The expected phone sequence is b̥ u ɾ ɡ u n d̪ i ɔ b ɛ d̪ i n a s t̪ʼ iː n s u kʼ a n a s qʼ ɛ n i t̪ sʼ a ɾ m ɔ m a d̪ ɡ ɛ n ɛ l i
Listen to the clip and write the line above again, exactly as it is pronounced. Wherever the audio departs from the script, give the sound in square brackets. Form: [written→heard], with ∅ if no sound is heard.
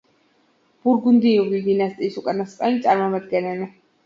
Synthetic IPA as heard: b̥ u ɾ ɡ u n d̪ i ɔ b [ɛ→i] d̪ i n a s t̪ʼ iː [n→∅] s u kʼ a n a s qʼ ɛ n i t̪ sʼ a ɾ m ɔ m a d̪ ɡ ɛ n ɛ l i

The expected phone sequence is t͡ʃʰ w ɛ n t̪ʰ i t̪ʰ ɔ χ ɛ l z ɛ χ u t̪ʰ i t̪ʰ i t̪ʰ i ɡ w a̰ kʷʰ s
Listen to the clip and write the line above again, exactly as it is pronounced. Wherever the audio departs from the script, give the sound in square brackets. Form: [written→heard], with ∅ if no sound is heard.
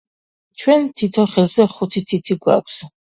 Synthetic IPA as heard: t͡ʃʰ w ɛ n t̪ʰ i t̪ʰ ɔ χ ɛ l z ɛ χ u t̪ʰ i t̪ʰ i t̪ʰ i ɡ w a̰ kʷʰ s

